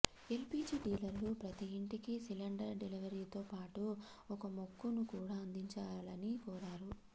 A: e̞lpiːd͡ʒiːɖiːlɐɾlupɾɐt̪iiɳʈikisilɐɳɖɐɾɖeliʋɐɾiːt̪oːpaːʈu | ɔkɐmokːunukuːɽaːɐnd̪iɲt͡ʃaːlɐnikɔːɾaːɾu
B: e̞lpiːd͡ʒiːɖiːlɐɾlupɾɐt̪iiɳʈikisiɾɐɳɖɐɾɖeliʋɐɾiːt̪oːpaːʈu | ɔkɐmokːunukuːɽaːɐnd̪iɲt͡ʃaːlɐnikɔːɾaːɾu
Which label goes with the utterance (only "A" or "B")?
A